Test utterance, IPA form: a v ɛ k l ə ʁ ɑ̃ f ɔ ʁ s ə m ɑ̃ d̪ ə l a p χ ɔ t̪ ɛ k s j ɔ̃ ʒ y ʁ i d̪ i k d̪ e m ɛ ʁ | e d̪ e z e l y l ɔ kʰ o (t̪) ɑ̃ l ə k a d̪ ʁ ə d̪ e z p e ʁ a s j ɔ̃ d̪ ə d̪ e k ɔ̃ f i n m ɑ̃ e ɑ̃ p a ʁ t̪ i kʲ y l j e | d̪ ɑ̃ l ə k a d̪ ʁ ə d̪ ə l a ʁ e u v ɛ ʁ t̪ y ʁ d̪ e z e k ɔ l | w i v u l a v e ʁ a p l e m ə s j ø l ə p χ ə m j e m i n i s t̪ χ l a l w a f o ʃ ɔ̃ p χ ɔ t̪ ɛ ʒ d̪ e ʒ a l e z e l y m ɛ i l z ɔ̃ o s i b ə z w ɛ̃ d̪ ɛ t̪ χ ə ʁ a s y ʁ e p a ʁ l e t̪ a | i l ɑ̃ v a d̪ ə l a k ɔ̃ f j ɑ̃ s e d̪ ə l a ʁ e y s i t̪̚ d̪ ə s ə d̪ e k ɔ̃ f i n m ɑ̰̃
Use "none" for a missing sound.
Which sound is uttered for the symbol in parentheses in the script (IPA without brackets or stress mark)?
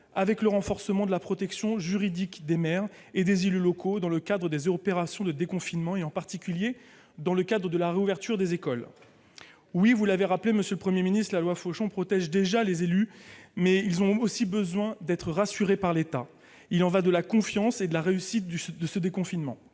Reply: d̪